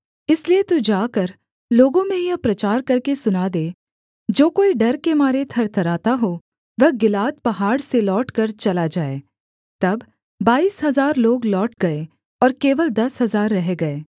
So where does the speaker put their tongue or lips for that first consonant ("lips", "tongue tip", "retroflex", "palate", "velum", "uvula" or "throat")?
tongue tip